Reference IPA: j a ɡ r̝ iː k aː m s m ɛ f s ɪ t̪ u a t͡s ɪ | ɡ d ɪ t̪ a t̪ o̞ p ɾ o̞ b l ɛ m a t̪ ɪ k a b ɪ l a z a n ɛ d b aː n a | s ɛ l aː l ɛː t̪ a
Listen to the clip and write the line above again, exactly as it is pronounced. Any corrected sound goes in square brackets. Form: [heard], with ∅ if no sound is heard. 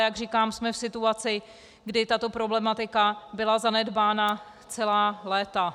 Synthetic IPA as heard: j a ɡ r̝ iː k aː m s m ɛ f s ɪ t̪ u a t͡s ɪ | ɡ d ɪ t̪ a t̪ o̞ p ɾ o̞ b l ɛ m a t̪ ɪ k a b ɪ l a z a n ɛ d b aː n a | [t͡s] ɛ l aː l ɛː t̪ a